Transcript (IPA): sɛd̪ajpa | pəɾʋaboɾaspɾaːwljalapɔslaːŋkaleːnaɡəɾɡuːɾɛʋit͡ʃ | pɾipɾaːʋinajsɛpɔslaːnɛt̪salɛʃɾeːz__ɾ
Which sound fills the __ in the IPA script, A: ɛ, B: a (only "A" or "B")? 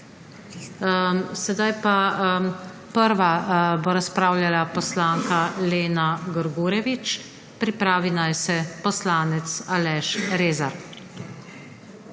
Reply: B